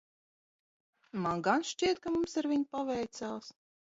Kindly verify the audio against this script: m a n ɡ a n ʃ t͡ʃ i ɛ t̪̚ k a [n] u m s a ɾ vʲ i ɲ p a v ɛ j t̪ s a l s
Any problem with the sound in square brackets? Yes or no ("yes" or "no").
yes